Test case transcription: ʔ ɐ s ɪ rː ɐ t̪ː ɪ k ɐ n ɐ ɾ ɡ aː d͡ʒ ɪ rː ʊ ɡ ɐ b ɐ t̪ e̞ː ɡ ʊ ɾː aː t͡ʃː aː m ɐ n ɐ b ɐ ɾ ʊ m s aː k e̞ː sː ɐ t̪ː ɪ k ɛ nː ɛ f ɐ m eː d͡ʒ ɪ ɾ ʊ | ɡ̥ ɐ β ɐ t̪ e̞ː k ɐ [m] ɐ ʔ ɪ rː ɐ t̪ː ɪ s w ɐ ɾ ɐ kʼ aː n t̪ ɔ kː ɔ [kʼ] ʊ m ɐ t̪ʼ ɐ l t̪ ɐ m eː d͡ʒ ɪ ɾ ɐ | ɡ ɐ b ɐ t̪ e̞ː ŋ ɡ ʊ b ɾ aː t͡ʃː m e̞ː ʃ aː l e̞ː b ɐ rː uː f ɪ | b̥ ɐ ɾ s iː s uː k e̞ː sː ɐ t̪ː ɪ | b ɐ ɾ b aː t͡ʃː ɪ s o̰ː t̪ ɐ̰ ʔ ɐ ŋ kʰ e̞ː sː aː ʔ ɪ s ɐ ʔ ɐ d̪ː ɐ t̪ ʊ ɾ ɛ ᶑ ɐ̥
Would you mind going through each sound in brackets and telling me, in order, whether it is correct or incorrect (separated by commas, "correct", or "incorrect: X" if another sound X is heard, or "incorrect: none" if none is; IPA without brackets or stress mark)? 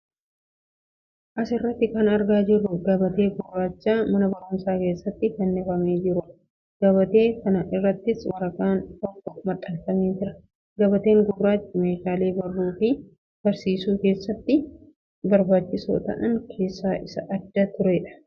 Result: incorrect: n, incorrect: k